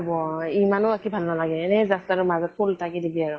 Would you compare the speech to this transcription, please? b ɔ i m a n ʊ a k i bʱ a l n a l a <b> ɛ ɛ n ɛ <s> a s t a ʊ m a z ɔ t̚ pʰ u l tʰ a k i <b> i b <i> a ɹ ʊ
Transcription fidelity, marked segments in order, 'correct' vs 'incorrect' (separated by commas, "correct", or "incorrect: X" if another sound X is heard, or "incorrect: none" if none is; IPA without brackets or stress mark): incorrect: ɡ, incorrect: z, incorrect: d, correct